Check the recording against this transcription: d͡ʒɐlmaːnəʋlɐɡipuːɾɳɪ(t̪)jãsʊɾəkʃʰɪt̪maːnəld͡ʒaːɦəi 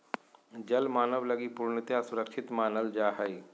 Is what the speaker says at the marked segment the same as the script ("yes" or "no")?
yes